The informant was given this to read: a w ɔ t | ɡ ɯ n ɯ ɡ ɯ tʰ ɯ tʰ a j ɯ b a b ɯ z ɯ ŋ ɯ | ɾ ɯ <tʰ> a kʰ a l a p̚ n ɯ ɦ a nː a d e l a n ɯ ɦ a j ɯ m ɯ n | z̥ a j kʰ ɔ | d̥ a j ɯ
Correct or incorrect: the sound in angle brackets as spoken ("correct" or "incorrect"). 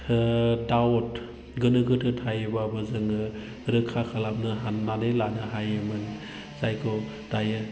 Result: incorrect